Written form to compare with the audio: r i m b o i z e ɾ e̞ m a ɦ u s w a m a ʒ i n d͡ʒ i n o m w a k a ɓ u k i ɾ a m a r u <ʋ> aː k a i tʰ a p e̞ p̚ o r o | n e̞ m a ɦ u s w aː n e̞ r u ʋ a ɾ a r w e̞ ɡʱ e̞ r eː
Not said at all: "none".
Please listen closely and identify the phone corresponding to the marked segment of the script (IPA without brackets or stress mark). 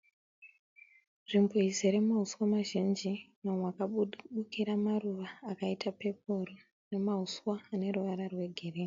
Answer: ʋ